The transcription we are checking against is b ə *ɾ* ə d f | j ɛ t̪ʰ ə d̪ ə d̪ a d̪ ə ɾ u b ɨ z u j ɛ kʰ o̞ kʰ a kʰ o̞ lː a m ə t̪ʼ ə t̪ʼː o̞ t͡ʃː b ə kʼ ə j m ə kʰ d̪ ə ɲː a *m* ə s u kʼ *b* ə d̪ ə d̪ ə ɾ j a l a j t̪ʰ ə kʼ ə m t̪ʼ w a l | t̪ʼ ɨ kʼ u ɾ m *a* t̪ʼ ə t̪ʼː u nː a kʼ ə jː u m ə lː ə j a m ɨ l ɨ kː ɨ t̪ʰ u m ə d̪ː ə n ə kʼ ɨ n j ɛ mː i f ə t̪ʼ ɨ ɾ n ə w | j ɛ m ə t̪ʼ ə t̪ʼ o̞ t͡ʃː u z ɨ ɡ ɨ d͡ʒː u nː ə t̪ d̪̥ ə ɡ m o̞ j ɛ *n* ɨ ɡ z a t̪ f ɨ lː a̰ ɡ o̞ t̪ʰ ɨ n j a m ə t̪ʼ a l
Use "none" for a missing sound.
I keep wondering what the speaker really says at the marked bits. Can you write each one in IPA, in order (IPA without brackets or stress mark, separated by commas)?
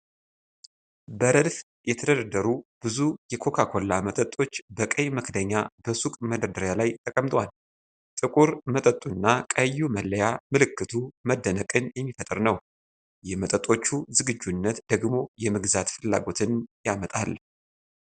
ɾ, b, m, ə, m